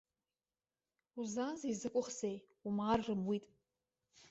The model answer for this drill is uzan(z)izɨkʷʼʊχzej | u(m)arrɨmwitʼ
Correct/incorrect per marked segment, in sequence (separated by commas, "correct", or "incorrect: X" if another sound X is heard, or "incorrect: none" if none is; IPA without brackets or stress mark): correct, correct